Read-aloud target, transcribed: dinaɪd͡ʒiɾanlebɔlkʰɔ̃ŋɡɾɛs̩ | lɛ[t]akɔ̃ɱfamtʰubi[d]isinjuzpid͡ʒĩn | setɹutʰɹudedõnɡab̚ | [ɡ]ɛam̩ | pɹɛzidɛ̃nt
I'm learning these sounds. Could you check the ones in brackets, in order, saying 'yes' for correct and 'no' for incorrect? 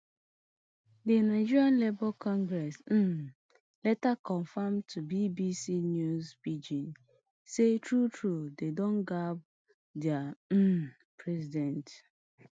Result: yes, no, no

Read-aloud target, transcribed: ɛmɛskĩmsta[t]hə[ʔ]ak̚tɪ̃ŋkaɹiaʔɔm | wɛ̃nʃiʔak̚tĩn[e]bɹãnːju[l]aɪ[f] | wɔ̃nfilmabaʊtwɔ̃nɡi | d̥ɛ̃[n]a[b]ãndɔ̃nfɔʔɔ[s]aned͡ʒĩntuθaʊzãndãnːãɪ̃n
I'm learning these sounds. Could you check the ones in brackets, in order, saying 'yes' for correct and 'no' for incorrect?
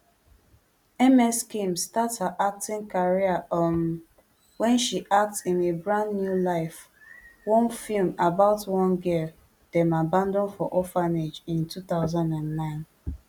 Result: yes, yes, yes, yes, yes, no, yes, no

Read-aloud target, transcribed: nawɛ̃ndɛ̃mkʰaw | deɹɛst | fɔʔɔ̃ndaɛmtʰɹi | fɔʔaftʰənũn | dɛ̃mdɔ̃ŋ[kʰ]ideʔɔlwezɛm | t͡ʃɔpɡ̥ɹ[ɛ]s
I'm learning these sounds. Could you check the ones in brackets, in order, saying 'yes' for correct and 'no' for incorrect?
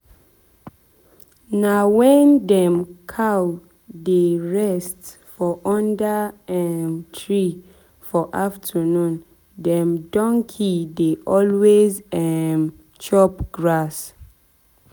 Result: yes, no

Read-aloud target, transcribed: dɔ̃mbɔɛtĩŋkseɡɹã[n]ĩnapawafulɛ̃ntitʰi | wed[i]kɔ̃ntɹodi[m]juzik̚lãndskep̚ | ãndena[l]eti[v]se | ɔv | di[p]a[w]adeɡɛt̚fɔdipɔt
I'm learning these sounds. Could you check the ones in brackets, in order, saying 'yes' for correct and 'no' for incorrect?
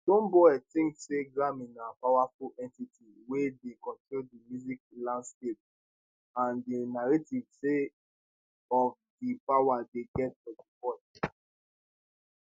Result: no, no, yes, no, yes, yes, yes

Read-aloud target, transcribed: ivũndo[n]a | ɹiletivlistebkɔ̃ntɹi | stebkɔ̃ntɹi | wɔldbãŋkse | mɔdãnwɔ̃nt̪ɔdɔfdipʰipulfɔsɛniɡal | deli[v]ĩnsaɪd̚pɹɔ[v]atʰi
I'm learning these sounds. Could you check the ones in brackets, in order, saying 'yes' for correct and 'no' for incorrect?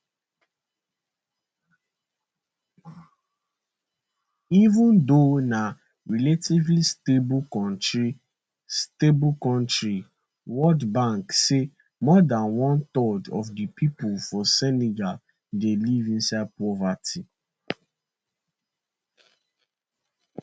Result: yes, yes, yes

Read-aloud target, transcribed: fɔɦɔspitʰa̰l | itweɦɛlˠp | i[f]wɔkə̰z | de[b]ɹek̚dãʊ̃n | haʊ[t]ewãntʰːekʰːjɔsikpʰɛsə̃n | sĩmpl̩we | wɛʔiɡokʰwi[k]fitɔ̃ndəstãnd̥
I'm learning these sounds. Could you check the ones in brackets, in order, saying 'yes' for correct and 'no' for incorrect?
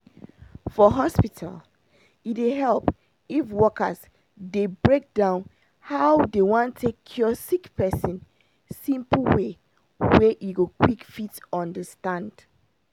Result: yes, yes, no, yes

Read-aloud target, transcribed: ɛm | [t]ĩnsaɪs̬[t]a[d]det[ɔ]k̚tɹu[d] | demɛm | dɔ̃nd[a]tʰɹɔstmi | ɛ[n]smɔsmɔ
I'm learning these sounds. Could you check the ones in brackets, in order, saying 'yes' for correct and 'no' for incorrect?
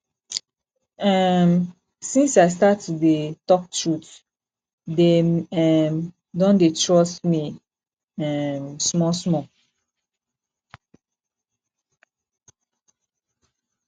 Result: no, yes, no, yes, no, no, no

